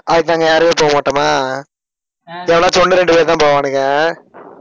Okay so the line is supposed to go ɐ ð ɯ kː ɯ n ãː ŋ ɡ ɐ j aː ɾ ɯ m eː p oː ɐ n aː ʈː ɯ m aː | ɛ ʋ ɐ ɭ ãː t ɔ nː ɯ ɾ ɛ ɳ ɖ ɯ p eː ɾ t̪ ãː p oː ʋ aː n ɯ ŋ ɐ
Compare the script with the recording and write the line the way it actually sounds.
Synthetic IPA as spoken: ɐ ð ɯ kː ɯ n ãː ŋ ɡ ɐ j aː ɾ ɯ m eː p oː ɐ m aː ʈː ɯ m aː | ɛ ʋ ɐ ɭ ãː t ɔ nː ɯ ɾ ɛ ɳ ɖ ɯ p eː ɾ t̪ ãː p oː ʋ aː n ɯ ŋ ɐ